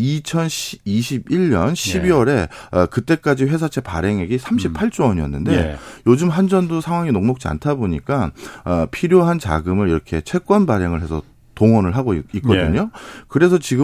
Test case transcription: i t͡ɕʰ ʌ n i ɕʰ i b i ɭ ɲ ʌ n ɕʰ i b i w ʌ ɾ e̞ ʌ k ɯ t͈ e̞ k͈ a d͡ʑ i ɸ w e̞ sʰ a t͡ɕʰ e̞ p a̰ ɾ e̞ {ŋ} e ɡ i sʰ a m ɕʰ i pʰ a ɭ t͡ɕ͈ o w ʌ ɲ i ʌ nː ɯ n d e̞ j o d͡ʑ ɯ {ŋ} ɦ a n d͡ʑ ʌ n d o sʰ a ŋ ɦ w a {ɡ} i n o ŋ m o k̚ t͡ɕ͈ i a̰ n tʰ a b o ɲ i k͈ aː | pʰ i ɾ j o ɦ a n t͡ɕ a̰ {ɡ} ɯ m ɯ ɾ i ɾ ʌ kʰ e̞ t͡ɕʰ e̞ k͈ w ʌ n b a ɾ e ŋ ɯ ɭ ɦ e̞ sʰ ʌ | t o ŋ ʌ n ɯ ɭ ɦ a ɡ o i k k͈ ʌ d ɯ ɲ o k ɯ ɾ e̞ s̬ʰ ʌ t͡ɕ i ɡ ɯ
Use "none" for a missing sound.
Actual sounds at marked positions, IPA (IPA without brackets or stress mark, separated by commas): ŋ, m, ŋ, ɡ